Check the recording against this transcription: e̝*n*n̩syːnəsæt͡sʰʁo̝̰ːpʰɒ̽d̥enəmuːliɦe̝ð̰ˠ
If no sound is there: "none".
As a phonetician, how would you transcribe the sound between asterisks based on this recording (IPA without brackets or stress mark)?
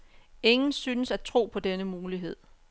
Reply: ŋ